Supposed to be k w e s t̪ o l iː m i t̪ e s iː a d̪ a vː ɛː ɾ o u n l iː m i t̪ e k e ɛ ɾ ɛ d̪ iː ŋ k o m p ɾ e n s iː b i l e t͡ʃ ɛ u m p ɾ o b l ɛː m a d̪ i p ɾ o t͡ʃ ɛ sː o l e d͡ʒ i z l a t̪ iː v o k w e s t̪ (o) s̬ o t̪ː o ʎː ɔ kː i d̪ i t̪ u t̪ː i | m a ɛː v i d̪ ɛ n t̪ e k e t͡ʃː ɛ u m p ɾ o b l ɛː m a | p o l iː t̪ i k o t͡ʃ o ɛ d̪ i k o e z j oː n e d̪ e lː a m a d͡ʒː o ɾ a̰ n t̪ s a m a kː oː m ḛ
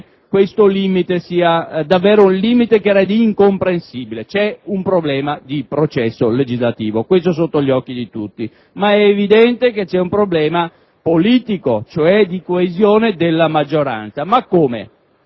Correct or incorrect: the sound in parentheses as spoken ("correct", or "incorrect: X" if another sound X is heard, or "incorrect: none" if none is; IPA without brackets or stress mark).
correct